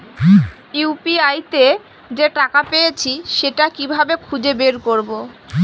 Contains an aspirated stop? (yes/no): yes